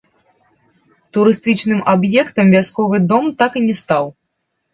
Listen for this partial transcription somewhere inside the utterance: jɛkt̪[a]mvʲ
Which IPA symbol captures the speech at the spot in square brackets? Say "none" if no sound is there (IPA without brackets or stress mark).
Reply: ɐ